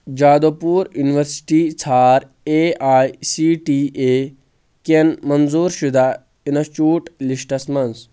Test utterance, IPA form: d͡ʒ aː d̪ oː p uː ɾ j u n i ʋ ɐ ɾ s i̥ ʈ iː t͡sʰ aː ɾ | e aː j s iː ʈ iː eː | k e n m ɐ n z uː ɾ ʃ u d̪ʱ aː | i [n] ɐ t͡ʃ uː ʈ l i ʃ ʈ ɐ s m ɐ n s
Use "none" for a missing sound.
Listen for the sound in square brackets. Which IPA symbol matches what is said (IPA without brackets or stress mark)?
n